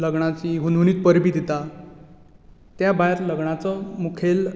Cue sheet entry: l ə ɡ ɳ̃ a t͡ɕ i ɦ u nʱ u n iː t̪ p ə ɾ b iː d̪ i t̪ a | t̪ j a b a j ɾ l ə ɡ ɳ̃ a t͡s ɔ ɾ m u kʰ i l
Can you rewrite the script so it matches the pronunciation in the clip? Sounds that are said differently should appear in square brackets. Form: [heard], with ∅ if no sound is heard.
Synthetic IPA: l ə ɡ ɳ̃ a t͡ɕ i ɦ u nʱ u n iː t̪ p ə ɾ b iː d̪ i t̪ a | t̪ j a b a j ɾ l ə ɡ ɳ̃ a t͡s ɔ [∅] m u kʰ [e] l